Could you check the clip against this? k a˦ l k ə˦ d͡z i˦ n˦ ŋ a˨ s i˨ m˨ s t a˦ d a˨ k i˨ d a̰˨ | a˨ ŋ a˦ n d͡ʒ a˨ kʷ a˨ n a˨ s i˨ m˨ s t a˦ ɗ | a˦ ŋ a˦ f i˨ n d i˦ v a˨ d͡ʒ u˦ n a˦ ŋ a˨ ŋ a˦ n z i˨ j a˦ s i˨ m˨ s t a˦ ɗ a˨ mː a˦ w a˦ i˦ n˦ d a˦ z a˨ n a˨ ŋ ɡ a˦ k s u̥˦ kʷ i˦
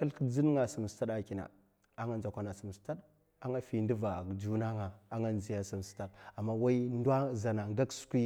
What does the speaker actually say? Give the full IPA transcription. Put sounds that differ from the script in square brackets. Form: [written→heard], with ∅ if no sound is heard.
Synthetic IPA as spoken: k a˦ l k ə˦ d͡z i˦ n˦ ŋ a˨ s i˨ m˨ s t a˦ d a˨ k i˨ [d→n] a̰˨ | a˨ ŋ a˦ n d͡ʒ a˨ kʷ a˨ n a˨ s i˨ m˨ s t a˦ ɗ | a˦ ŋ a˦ f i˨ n d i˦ v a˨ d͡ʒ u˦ n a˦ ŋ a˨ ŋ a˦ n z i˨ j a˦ s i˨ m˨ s t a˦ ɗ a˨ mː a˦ w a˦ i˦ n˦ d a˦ z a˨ n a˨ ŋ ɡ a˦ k s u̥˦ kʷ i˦